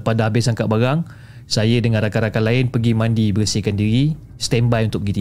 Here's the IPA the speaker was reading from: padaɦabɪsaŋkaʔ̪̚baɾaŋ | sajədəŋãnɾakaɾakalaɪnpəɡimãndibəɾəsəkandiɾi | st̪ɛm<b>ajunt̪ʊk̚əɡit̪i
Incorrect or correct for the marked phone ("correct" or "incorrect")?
correct